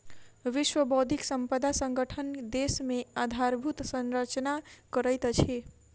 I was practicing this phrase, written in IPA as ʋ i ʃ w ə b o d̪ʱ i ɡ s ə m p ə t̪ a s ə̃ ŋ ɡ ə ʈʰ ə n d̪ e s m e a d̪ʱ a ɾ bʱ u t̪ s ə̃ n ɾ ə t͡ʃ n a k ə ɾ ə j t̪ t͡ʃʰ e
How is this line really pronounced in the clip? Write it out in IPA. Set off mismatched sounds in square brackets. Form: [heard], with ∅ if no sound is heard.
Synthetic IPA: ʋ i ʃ w ə b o d̪ʱ i [k] s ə m p ə [d̪] a s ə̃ ŋ ɡ ə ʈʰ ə n d̪ e s m e a d̪ʱ a ɾ bʱ u t̪ s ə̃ n ɾ ə t͡ʃ n a k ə ɾ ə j t̪ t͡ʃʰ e